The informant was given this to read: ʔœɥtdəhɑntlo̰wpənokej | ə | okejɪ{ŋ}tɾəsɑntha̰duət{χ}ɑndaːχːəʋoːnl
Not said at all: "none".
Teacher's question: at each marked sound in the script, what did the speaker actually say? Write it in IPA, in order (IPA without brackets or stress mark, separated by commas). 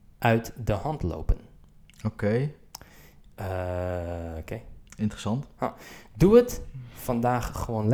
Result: n, f